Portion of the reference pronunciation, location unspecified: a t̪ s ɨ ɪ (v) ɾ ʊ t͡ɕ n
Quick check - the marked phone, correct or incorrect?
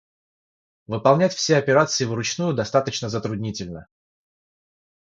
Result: correct